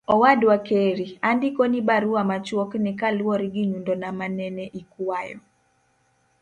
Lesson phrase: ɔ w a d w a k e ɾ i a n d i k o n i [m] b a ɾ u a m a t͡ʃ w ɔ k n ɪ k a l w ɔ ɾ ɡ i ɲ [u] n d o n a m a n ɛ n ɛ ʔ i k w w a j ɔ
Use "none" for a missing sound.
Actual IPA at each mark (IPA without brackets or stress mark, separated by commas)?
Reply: none, u